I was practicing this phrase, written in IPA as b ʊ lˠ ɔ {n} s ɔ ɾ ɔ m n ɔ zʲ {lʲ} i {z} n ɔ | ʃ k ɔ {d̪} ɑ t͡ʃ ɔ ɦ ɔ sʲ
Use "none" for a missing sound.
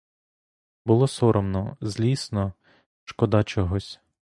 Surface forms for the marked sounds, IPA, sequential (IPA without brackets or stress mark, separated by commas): none, lʲ, s, d̪